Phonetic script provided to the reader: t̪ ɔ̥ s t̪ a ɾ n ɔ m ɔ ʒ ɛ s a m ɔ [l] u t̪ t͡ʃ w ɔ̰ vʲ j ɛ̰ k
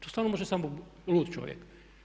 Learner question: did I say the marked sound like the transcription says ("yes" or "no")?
yes